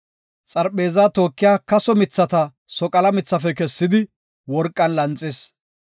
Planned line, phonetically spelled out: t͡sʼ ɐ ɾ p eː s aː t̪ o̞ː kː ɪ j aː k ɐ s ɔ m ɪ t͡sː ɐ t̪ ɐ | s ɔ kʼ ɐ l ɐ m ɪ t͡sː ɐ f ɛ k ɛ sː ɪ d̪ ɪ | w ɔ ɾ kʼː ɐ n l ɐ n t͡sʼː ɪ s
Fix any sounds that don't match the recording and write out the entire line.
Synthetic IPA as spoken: t͡sʼ ɐ ɾ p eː z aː t̪ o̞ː kː ɪ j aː k ɐ s ɔ m ɪ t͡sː ɐ t̪ ɐ | s ɔ kʼ ɐ l ɐ m ɪ t͡sː ɐ f ɛ k ɛ sː ɪ d̪ ɪ | w ɔ ɾ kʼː ɐ n l ɐ n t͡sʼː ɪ s